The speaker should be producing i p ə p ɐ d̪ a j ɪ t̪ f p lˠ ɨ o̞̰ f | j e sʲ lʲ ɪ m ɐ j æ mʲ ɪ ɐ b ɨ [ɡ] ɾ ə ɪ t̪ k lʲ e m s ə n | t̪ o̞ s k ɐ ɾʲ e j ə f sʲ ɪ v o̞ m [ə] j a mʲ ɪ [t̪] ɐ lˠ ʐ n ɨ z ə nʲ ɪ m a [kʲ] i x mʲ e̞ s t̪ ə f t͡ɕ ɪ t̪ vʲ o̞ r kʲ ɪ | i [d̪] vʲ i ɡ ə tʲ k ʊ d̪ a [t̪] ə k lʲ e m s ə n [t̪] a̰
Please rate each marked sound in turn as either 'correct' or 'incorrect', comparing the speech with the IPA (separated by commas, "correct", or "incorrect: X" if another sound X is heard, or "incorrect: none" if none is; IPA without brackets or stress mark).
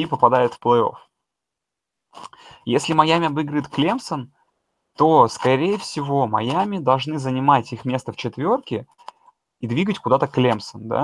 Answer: correct, incorrect: ɐ, incorrect: d̪, incorrect: tʲ, correct, correct, incorrect: d̪